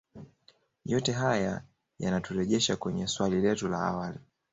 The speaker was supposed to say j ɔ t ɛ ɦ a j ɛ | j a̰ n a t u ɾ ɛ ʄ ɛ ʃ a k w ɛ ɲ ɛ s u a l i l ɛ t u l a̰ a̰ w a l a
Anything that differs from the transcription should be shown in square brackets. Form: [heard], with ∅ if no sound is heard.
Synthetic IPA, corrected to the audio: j ɔ t ɛ ɦ a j [a] | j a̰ n a t u ɾ ɛ ʄ ɛ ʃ a k w ɛ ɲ ɛ s [w] a l i l ɛ t u l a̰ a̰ w a l [i]